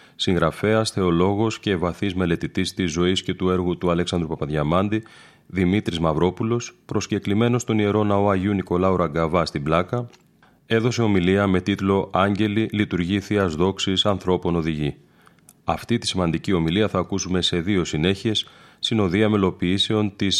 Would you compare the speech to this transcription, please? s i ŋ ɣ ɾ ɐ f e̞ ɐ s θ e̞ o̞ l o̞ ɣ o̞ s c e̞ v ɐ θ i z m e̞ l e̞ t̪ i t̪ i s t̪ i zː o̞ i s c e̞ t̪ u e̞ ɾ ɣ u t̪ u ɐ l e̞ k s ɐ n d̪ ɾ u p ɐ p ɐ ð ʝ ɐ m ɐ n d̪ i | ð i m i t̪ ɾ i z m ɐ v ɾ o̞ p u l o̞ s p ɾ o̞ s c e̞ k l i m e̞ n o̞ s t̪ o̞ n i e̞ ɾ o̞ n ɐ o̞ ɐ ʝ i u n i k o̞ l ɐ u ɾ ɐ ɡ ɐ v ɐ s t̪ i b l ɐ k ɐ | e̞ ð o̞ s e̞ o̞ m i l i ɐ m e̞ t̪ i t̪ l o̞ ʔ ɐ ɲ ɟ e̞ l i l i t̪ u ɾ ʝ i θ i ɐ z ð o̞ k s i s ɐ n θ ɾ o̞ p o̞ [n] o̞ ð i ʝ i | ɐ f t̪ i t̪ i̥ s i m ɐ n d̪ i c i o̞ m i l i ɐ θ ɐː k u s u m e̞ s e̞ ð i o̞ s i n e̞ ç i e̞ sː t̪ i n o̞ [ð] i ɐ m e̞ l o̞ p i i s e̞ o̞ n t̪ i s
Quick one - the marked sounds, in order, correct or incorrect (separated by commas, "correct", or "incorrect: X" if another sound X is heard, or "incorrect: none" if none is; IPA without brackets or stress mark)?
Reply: correct, correct